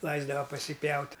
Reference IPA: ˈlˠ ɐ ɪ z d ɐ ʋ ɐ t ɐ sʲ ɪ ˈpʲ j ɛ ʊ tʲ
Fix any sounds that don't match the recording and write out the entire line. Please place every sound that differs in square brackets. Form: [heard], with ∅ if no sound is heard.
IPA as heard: ˈlˠ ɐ ɪ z d ɐ ʋ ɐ [p] ɐ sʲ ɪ ˈpʲ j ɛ ʊ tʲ